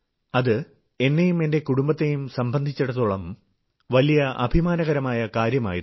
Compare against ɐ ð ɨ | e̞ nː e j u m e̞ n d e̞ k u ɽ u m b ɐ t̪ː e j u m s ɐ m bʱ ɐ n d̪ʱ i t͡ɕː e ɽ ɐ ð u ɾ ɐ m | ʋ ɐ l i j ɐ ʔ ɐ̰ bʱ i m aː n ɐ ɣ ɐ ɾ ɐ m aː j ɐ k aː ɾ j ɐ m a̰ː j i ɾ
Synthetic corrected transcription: ɐ ð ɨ | e̞ nː e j u m e̞ n d e̞ k u ɽ u m b ɐ t̪ː e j u m s ɐ m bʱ ɐ n d̪ʱ i t͡ɕː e ɽ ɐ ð u ɭ ɐ m | ʋ ɐ l i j ɐ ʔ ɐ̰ bʱ i m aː n ɐ ɣ ɐ ɾ ɐ m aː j ɐ k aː ɾ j ɐ m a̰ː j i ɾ